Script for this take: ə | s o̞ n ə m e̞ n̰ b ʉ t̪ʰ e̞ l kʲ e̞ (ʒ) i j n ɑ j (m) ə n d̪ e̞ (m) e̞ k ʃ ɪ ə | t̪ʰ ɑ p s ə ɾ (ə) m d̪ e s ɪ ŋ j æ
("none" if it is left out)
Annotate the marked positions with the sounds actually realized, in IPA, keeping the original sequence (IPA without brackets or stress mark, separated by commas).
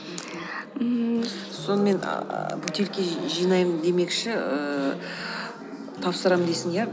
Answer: ʒ, m, m, ɑ